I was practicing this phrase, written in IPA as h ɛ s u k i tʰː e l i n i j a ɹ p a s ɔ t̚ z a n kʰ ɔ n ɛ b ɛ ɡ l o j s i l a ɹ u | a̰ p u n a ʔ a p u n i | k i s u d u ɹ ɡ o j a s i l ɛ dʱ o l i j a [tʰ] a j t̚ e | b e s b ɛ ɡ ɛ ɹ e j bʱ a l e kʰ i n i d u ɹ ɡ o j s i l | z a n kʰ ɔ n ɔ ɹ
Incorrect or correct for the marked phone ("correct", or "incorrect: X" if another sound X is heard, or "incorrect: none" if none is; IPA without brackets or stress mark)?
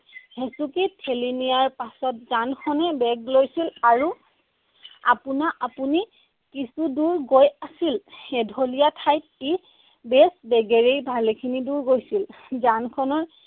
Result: correct